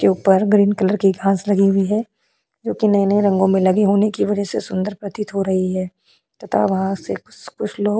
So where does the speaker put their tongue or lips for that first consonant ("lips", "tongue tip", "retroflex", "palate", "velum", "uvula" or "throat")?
velum